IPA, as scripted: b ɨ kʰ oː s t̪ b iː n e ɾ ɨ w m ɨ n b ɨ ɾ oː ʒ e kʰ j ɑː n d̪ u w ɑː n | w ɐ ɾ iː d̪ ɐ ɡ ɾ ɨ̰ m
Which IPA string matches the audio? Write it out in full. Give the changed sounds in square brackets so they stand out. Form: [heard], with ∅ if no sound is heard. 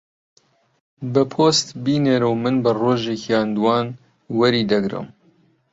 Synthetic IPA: b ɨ [pʰ] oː s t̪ b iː n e ɾ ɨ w m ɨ n b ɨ [r] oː ʒ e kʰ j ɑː n d̪ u w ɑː n | w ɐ ɾ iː d̪ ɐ ɡ ɾ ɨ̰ m